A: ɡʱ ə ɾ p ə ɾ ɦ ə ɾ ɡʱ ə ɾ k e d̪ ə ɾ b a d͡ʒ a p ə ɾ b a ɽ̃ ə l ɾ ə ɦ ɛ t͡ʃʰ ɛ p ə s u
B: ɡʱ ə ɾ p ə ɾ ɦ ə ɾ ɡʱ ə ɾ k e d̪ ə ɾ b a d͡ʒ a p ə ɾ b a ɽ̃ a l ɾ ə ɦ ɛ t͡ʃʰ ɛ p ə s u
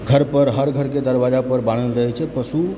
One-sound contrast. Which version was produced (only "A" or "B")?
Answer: A